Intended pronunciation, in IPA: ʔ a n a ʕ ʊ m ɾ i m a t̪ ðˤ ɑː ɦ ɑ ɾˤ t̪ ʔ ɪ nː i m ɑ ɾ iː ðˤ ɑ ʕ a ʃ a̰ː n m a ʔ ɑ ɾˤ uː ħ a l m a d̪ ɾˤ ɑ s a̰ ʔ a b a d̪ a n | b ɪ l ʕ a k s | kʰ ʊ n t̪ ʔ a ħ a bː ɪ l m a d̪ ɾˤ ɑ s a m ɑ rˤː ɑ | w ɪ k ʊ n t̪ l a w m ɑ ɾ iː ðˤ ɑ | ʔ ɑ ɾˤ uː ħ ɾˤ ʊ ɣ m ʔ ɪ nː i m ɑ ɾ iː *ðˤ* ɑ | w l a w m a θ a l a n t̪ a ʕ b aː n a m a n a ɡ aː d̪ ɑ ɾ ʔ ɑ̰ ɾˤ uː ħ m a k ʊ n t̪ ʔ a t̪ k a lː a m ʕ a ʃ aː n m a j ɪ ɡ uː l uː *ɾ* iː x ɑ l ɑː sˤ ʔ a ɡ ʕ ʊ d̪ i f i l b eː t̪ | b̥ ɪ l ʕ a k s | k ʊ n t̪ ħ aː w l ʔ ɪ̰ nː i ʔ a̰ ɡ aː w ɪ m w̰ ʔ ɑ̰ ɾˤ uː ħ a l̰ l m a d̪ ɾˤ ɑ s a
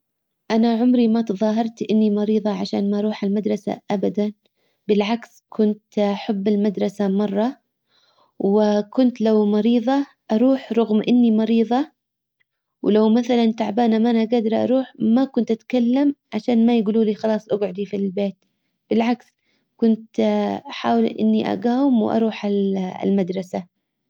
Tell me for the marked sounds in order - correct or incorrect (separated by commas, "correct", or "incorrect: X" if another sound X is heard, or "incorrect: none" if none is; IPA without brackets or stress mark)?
correct, incorrect: l